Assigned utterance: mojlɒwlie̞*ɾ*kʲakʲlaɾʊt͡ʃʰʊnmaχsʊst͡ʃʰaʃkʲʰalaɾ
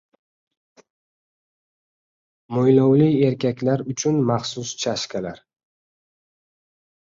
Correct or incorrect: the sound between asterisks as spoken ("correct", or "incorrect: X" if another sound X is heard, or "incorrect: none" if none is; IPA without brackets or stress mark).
correct